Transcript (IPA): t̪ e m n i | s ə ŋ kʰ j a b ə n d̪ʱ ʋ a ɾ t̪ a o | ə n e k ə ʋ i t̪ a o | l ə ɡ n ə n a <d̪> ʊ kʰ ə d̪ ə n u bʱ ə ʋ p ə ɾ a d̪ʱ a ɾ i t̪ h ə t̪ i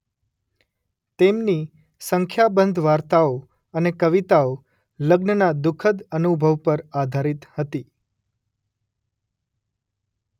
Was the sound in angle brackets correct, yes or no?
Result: yes